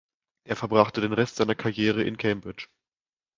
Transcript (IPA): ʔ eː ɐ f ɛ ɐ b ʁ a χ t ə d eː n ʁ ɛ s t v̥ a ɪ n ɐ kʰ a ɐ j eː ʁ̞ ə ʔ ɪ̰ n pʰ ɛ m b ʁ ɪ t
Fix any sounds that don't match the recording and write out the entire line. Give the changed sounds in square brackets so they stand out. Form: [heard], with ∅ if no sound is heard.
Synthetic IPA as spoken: ʔ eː ɐ f ɛ ɐ b ʁ a χ t ə d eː n ʁ ɛ s t [z̥] a ɪ n ɐ kʰ a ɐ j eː ʁ̞ ə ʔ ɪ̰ n [kʰ] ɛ m b ʁ ɪ [t͡ʃ]